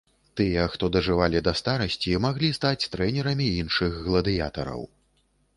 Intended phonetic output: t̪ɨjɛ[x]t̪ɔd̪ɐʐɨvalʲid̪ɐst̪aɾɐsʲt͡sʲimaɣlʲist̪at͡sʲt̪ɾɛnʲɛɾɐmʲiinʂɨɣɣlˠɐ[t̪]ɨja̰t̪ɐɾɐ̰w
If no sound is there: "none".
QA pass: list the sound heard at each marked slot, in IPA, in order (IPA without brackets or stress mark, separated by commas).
x, d̪